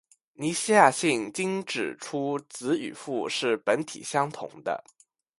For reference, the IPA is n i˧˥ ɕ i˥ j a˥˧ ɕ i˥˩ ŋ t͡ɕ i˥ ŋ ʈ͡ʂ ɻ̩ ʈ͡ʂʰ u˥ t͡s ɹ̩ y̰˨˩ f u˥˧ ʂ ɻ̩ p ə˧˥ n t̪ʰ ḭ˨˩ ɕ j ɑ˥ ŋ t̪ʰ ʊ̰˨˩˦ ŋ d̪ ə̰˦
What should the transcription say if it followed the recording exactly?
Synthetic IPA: n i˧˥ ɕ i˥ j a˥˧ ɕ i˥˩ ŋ t͡ɕ i˥ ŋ ʈ͡ʂ ɻ̩ ʈ͡ʂʰ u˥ t͡s ɹ̩ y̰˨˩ f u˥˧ ʂ ɻ̩ p ə˧˥ n t̪ʰ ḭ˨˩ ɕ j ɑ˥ ŋ t̪ʰ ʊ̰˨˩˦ ŋ d̪ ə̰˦